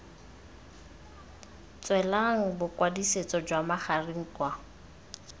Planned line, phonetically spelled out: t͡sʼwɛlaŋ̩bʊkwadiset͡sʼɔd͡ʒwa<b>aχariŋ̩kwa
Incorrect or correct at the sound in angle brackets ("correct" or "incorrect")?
incorrect